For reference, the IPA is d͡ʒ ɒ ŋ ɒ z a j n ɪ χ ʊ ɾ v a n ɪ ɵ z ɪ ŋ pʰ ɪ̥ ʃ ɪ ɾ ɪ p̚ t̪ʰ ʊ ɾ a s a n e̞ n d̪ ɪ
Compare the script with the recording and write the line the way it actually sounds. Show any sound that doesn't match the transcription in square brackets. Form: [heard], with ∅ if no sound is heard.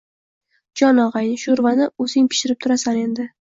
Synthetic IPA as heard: d͡ʒ ɒ [n] ɒ [ʁ] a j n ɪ [ʃ] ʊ ɾ v a n ɪ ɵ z ɪ ŋ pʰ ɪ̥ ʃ ɪ ɾ ɪ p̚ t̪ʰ ʊ ɾ a s a n e̞ n d̪ ɪ